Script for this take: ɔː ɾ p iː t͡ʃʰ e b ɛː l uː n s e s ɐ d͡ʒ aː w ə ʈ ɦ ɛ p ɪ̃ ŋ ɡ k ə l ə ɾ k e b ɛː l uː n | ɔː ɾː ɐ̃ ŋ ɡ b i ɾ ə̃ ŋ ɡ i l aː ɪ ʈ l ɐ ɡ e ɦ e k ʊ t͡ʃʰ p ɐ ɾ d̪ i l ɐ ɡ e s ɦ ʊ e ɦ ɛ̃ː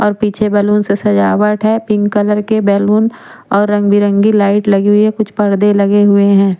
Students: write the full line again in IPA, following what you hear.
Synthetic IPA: ɔː ɾ p iː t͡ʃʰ e b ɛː l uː n s e s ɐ d͡ʒ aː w ə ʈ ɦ ɛ p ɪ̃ ŋ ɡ k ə l ə ɾ k e b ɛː l uː n | ɔː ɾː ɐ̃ ŋ ɡ b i ɾ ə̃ ŋ ɡ i l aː ɪ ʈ l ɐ ɡ e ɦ e k ʊ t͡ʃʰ p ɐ ɾ d̪ e l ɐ ɡ e ɦ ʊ e ɦ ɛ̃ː